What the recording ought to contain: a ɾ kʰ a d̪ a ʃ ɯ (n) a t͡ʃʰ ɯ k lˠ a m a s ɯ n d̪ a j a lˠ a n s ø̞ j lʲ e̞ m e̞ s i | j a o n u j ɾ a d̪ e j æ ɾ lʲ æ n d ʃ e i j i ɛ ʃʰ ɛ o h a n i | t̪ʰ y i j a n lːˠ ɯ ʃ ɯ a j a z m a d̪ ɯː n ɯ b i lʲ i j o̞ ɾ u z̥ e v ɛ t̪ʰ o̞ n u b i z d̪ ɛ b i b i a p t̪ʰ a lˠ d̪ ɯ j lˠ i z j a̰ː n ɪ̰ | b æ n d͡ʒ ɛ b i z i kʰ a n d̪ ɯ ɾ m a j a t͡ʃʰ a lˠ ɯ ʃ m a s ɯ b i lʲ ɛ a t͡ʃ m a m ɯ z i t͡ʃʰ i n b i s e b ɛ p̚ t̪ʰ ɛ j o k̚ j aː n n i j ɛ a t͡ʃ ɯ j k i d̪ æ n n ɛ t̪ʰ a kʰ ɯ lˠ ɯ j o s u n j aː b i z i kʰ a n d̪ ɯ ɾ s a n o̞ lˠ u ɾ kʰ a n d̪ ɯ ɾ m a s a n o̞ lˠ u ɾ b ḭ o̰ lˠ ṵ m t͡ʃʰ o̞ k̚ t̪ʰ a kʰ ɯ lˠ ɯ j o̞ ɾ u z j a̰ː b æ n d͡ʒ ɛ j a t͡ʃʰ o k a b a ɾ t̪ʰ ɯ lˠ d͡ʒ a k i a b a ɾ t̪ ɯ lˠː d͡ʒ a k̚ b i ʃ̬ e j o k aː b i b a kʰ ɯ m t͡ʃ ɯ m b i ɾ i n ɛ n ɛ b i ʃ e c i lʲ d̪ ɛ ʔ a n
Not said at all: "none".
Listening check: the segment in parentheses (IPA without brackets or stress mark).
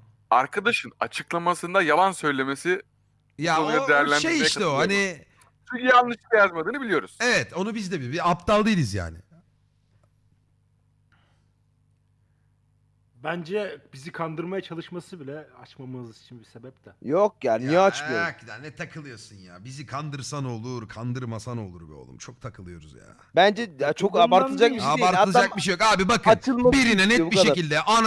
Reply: n